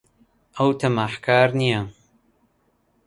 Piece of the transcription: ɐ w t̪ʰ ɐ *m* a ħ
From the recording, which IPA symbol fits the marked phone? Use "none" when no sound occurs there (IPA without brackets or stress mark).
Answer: m